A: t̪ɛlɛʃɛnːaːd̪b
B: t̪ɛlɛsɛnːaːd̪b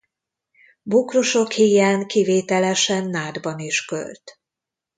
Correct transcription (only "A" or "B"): A